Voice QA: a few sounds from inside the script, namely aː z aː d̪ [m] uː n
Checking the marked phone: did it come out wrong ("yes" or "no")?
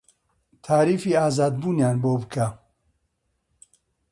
yes